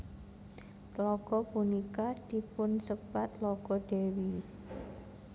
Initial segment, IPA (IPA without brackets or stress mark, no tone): l